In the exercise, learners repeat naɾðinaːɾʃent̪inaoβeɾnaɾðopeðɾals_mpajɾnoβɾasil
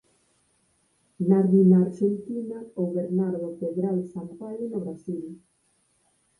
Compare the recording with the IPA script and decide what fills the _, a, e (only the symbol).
a